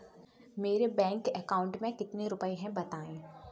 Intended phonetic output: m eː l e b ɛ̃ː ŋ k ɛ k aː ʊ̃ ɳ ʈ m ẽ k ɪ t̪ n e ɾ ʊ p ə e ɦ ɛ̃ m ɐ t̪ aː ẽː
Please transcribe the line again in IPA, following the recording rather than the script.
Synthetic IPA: m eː ɾ e b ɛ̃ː ŋ k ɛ k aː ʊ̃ ɳ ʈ m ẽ k ɪ t̪ n e ɾ ʊ p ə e ɦ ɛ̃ b ɐ t̪ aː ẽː